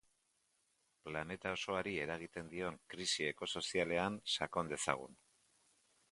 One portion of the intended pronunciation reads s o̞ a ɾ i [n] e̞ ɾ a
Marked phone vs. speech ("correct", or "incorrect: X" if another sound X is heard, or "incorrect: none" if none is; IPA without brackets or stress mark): incorrect: none